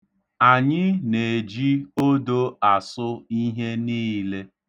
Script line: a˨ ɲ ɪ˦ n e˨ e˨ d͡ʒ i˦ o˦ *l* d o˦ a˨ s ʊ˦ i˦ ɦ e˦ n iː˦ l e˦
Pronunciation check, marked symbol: incorrect: none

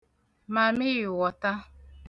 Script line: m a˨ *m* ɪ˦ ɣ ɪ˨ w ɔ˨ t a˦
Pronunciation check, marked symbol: correct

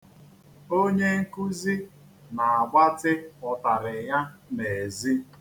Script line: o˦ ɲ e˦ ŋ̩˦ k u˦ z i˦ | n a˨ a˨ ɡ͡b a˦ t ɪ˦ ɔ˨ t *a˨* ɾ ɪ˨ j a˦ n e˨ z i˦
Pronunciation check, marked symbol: correct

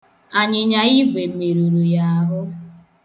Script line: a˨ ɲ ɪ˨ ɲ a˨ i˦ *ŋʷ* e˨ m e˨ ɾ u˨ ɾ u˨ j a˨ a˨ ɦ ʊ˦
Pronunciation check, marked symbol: incorrect: ɡʷ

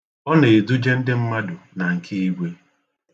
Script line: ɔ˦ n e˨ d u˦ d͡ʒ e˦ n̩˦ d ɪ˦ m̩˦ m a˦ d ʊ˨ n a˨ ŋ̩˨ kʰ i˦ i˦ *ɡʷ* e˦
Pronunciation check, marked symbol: correct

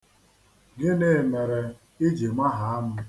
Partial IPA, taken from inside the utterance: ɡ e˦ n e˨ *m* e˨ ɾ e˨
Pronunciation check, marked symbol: correct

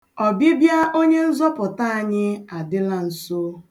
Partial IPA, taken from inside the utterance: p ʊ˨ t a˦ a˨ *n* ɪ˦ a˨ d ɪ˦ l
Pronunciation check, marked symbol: incorrect: ɲ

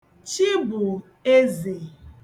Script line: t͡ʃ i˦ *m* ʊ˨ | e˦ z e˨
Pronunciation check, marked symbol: incorrect: b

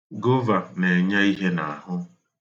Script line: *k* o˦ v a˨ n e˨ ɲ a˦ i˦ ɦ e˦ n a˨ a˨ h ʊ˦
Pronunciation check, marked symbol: incorrect: ɡ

